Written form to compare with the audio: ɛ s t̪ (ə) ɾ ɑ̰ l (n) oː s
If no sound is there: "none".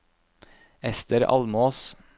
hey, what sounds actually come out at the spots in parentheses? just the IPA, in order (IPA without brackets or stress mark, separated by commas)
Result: ə, m